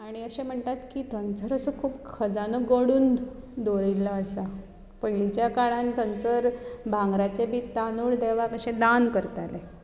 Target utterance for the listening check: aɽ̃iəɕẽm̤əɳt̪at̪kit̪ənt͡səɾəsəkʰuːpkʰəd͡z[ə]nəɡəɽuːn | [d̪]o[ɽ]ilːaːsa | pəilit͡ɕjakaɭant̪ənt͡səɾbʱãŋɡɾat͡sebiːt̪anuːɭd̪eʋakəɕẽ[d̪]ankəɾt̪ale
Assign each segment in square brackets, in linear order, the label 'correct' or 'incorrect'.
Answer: incorrect: a, correct, incorrect: ɾ, correct

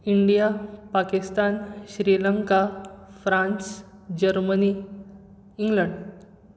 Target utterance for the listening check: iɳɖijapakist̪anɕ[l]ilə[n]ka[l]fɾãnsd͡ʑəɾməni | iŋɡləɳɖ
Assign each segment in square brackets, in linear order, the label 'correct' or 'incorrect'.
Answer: incorrect: ɾ, incorrect: ŋ, incorrect: none

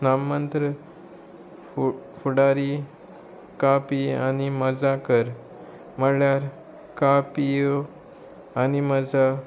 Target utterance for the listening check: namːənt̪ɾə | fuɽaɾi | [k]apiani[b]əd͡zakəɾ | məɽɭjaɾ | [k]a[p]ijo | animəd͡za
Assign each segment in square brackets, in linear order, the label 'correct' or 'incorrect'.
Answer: correct, incorrect: m, correct, correct

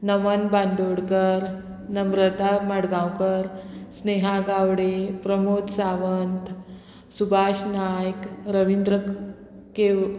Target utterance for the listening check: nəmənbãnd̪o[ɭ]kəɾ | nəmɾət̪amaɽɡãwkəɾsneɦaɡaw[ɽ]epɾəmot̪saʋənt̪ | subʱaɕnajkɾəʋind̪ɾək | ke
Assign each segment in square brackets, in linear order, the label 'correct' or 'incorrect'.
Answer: incorrect: ɽ, correct

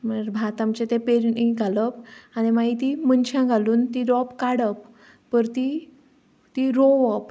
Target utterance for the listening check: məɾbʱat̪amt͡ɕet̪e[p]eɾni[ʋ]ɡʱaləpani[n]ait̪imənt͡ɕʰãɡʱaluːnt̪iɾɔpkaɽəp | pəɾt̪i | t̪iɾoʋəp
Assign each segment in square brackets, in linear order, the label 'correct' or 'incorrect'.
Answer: correct, incorrect: none, incorrect: m

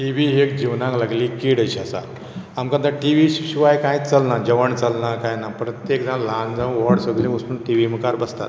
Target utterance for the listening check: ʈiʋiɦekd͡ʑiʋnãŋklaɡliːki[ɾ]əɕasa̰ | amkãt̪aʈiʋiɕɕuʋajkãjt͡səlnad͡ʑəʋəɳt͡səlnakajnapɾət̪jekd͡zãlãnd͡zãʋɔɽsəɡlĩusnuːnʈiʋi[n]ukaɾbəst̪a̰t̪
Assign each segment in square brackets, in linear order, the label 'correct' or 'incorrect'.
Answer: incorrect: ɽ, incorrect: m

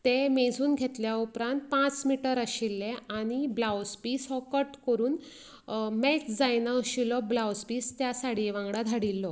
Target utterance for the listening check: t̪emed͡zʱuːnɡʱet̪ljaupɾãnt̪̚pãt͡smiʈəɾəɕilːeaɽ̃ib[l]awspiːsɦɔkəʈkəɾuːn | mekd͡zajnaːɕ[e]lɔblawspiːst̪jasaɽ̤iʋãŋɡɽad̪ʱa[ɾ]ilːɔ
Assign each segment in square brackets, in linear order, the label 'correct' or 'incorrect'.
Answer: correct, incorrect: i, incorrect: ɽ

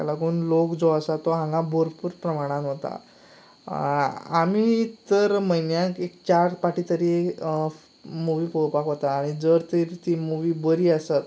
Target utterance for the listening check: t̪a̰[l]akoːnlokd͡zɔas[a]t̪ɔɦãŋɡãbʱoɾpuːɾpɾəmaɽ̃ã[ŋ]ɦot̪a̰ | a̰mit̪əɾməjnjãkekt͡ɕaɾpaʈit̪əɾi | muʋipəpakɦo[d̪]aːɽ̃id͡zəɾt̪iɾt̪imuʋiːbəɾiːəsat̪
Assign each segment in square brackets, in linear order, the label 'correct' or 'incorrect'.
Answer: correct, correct, incorrect: n, incorrect: t̪

